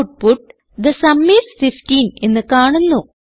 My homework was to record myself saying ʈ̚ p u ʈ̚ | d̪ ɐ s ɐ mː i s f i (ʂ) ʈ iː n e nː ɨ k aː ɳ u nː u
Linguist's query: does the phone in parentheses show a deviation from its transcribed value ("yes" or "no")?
yes